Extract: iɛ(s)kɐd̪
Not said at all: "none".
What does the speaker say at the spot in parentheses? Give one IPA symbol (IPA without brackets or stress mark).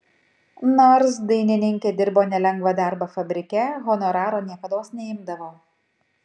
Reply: none